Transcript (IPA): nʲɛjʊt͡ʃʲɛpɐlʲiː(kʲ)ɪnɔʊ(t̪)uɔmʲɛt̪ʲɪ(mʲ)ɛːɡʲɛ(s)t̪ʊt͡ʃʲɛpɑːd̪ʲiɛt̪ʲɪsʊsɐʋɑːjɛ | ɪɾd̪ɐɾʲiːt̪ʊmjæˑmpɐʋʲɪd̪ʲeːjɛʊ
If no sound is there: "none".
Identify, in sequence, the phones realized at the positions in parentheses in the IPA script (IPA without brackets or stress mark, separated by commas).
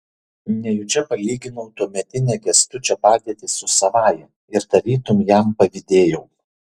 ɡʲ, t̪, nʲ, s